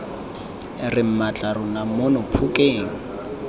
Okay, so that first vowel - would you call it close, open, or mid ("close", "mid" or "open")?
close